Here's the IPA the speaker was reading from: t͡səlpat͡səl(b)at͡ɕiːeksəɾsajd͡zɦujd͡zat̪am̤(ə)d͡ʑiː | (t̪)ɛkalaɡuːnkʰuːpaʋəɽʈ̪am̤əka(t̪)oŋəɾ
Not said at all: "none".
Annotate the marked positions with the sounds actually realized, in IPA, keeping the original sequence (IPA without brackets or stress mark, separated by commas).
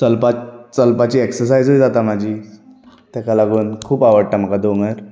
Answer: p, a, t̪, d̪